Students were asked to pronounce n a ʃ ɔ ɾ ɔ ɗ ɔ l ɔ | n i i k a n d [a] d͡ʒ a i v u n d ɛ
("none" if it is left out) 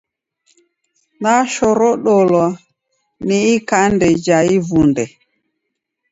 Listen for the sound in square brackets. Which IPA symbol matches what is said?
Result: ɛ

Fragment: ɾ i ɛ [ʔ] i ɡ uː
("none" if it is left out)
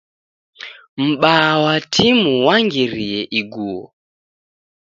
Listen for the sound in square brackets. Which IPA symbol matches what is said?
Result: ʔ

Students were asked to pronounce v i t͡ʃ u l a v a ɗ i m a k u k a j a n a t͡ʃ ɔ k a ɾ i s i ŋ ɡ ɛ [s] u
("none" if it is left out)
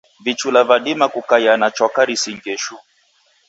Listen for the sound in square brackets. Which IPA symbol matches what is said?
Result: ʃ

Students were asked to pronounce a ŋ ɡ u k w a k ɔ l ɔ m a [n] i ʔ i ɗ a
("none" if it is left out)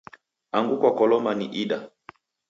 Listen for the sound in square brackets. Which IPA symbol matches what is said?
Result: n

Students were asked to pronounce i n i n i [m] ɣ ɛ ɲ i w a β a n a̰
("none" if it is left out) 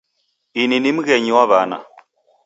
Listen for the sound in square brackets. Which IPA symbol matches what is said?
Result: m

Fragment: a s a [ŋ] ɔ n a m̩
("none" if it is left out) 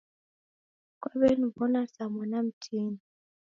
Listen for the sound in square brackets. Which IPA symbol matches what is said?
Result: m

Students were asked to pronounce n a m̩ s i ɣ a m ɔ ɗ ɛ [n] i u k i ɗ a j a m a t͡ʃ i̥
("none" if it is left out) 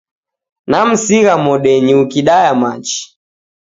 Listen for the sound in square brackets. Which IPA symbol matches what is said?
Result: ɲ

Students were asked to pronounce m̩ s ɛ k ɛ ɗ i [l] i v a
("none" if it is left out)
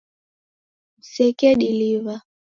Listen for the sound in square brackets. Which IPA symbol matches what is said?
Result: l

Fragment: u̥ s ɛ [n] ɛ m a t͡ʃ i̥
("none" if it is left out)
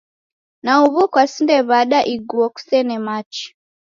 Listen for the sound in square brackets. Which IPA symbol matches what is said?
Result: n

